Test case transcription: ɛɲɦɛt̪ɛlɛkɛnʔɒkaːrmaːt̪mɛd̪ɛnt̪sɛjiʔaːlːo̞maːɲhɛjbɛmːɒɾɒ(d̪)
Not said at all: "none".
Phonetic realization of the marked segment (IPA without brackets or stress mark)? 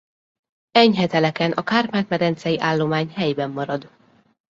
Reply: d̪